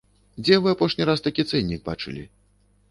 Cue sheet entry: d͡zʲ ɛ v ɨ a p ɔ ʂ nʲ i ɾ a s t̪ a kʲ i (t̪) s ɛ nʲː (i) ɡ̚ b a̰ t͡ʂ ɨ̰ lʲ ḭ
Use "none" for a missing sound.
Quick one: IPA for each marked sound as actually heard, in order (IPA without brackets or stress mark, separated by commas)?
t̪, i